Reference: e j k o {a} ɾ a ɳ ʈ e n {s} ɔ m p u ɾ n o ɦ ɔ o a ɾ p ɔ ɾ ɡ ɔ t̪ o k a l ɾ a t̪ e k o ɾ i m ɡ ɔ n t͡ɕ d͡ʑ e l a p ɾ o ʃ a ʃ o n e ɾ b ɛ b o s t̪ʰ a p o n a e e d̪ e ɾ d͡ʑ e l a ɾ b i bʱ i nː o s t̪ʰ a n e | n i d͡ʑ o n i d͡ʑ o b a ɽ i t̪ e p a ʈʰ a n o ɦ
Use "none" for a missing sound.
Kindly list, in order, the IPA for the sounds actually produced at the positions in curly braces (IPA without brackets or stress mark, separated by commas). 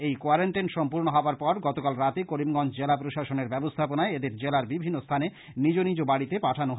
a, ʃ